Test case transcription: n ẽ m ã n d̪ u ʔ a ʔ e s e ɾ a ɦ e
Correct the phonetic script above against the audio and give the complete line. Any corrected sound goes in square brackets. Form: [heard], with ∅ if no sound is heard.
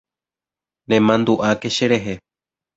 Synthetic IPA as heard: n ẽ m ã n d̪ u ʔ a [k] e [ʃ] e ɾ [e] ɦ e